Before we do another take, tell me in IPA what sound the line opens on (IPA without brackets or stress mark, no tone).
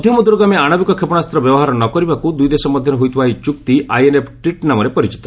d̪ʱ